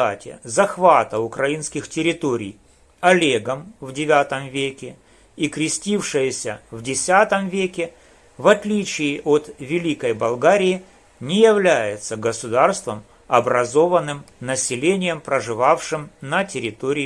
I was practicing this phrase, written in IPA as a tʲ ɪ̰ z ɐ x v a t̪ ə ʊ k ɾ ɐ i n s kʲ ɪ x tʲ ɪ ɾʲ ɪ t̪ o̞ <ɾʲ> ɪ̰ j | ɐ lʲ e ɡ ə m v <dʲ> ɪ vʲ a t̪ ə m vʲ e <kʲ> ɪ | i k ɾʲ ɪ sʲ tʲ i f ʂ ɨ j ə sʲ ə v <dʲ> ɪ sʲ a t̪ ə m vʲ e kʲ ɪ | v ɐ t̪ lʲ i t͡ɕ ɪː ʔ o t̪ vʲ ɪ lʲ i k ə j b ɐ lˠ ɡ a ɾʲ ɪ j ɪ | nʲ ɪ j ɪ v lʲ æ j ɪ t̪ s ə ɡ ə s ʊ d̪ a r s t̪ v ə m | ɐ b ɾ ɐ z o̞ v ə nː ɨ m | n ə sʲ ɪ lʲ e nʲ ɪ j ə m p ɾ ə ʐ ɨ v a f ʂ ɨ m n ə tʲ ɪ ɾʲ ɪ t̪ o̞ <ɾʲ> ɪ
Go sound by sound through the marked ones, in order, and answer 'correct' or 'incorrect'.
correct, correct, correct, correct, correct

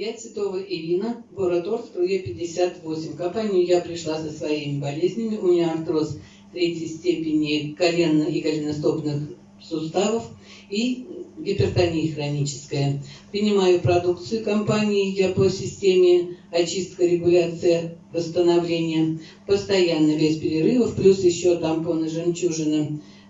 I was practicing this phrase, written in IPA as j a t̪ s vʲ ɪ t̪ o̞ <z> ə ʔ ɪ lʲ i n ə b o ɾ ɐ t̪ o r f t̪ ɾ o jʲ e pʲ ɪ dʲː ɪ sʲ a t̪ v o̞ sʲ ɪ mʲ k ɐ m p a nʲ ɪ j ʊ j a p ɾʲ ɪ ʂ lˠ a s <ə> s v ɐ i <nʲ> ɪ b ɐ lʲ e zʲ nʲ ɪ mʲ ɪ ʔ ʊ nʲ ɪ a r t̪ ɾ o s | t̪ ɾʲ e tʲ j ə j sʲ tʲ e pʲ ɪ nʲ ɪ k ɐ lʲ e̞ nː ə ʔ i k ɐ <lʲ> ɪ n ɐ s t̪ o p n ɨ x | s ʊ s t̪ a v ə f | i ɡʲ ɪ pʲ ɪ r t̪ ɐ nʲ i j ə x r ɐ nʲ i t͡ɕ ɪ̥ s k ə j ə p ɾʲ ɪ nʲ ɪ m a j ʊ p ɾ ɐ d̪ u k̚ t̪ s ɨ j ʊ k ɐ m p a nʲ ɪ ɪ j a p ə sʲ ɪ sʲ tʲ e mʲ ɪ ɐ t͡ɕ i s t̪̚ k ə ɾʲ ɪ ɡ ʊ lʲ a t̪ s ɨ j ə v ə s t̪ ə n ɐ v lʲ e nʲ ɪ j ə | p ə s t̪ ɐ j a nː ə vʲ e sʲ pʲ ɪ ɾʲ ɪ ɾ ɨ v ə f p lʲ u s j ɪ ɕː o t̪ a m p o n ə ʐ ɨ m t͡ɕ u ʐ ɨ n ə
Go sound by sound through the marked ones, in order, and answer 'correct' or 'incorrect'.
incorrect: v, correct, incorrect: mʲ, correct

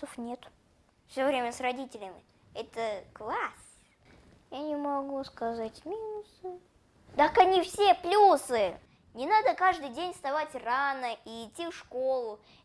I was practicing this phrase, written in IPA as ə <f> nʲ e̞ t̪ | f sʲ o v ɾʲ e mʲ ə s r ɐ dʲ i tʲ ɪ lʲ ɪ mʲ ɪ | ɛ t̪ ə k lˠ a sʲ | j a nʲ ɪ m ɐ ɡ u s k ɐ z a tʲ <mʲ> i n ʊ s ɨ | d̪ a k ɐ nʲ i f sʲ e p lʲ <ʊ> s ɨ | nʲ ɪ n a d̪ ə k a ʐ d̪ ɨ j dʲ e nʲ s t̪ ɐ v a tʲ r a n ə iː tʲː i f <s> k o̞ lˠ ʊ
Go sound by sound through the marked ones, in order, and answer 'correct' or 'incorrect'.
correct, correct, incorrect: u, incorrect: ʂ

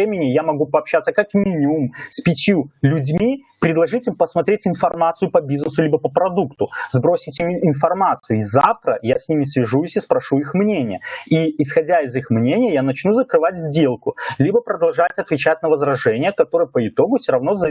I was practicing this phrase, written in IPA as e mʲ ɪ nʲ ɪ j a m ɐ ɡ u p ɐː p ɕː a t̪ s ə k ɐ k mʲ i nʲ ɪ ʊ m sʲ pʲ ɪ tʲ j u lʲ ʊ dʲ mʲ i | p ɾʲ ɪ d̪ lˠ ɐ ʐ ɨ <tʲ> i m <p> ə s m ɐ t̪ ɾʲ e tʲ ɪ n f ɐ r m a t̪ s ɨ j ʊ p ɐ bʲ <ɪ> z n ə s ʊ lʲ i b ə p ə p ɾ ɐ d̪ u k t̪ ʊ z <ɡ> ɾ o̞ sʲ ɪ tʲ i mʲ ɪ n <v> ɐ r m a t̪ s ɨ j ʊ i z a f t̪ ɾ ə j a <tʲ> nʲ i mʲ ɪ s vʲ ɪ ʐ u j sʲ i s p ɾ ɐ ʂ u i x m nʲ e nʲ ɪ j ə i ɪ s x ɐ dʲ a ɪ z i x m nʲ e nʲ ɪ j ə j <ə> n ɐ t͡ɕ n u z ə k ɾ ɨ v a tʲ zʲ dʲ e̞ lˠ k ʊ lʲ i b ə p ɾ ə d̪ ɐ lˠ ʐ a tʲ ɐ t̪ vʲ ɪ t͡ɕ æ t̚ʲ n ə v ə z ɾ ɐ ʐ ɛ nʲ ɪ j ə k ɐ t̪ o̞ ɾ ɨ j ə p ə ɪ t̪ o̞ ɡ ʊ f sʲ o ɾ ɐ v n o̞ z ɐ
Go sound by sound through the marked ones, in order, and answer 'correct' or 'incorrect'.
correct, correct, incorrect: i, incorrect: b, incorrect: f, incorrect: sʲ, incorrect: a

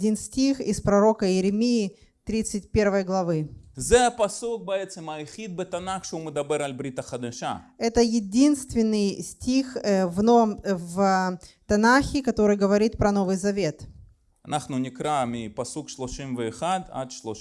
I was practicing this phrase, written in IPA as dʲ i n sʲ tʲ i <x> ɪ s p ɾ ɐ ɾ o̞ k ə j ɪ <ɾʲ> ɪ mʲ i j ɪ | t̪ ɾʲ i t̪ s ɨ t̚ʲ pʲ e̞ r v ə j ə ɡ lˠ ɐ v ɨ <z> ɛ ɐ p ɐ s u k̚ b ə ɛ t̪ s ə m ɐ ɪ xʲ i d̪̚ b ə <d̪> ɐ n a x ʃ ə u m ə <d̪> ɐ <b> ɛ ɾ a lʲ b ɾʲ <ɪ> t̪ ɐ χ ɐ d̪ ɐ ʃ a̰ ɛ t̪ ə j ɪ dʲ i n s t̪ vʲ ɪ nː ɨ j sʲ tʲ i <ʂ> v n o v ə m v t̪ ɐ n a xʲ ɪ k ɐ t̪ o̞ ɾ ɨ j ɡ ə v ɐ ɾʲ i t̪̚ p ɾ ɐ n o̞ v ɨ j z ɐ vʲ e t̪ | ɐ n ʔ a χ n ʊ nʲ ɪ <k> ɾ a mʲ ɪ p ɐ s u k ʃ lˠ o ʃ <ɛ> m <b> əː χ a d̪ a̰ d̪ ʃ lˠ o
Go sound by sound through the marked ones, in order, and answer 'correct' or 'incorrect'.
correct, correct, correct, incorrect: t̪, correct, correct, incorrect: i, incorrect: x, correct, incorrect: i, incorrect: v

